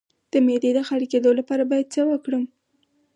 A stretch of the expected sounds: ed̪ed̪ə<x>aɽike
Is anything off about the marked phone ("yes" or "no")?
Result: no